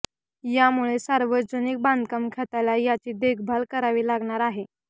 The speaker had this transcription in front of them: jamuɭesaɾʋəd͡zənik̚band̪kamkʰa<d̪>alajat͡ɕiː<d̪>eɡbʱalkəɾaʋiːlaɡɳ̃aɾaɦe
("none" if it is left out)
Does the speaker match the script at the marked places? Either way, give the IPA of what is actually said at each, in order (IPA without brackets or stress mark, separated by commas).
t̪, d̪